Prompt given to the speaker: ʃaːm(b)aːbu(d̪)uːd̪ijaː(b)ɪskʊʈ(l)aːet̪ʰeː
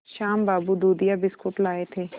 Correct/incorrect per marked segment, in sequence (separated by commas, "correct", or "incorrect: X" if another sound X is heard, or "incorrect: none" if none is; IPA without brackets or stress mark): correct, correct, correct, correct